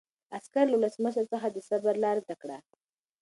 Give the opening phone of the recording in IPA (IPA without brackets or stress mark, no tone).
a